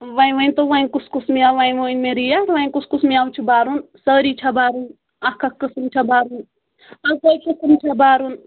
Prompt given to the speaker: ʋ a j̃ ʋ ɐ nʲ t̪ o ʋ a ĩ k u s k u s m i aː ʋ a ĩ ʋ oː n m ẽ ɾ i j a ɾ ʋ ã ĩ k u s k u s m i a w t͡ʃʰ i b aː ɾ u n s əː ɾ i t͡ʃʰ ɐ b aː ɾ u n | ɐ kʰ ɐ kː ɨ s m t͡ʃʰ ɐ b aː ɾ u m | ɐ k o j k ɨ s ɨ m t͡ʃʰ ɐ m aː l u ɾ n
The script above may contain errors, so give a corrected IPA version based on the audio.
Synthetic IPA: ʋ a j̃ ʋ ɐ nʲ t̪ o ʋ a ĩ k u s k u s m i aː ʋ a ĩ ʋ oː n m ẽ ɾ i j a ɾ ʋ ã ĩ k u s k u s m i a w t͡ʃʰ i b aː ɾ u n s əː ɾ i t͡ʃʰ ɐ b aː ɾ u n | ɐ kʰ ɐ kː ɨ s m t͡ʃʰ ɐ b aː ɾ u n | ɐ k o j k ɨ s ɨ m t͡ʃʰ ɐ b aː ɾ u n